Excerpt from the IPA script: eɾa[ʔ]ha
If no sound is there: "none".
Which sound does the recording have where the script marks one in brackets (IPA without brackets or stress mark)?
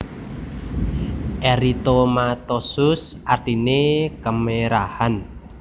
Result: none